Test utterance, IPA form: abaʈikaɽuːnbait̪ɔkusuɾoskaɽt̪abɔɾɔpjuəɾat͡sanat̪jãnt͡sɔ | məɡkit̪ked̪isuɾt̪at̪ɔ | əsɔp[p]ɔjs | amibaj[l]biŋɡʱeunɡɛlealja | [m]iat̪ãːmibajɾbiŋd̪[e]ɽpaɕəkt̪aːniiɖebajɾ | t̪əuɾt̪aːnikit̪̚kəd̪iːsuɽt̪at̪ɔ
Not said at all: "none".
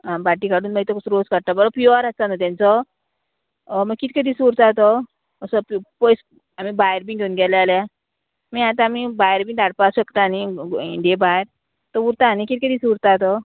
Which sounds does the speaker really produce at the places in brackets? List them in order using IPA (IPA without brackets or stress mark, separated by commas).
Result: p, ɾ, m, a